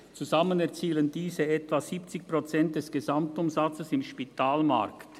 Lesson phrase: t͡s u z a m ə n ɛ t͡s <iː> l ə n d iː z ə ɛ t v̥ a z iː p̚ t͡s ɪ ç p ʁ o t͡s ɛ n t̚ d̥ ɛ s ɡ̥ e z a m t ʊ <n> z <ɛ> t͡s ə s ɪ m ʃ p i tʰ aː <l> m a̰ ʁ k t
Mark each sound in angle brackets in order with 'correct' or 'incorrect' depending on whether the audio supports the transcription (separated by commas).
correct, incorrect, incorrect, correct